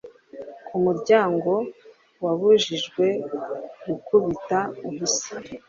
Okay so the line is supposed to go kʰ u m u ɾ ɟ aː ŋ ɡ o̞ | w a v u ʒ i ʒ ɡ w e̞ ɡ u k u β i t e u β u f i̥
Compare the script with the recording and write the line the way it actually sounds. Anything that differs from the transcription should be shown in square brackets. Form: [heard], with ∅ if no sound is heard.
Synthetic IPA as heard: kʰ u m u ɾ ɟ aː ŋ ɡ o̞ | w a [β] u ʒ i ʒ ɡ w e̞ ɡ u k u β i t [a] u β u [s] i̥